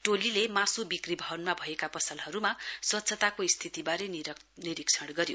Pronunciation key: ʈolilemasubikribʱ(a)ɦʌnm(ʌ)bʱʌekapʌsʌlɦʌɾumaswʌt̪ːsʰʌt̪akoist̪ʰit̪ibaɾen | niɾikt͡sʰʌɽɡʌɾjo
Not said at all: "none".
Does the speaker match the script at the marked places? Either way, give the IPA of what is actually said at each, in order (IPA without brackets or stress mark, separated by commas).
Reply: ʌ, a